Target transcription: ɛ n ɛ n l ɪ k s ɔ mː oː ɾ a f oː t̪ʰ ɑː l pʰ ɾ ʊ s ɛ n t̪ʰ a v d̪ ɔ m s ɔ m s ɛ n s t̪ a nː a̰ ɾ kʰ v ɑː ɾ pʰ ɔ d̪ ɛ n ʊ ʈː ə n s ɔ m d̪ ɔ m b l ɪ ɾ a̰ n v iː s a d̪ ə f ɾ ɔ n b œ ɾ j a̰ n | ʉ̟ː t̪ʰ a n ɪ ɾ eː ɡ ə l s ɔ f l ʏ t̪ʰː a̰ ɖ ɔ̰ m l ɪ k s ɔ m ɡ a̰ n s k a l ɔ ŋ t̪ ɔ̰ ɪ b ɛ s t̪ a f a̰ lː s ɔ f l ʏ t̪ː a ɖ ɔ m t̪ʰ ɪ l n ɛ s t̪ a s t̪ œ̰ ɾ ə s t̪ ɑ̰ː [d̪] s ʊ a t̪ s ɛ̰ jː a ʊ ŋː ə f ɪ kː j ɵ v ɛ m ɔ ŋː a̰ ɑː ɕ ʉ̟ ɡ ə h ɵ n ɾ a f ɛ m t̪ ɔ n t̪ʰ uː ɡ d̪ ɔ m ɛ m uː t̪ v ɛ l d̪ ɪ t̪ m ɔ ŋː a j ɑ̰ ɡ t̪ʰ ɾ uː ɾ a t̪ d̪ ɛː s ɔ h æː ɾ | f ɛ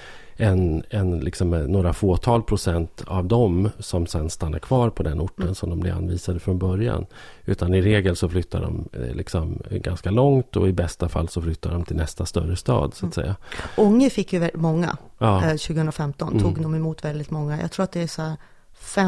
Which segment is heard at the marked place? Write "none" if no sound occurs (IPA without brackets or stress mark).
d̪